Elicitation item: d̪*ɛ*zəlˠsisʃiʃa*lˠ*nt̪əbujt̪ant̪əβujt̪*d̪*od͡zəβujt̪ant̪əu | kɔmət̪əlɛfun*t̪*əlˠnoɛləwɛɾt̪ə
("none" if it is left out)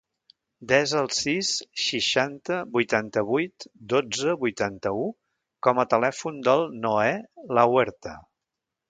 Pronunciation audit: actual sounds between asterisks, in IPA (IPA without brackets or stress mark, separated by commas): ɛ, none, d̪, d̪